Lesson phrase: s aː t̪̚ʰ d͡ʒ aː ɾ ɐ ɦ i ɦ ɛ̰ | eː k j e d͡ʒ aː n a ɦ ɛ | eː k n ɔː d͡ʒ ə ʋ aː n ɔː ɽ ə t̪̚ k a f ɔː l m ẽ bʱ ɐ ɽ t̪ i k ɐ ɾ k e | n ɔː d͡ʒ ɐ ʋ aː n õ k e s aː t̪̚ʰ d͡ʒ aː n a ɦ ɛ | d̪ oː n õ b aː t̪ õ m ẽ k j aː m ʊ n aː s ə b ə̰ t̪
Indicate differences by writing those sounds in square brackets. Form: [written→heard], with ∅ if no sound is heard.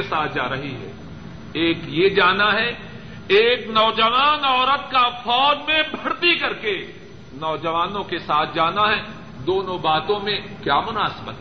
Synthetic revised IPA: s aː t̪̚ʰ d͡ʒ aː ɾ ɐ ɦ i ɦ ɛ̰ | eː k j e d͡ʒ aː n a ɦ ɛ | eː k n ɔː d͡ʒ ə ʋ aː n ɔː [ɽ→ɾ] ə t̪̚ k a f ɔː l m ẽ bʱ ɐ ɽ t̪ i k ɐ ɾ k e | n ɔː d͡ʒ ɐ ʋ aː n õ k e s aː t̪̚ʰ d͡ʒ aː n a ɦ ɛ | d̪ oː n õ b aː t̪ õ m ẽ k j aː m ʊ n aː s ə b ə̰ t̪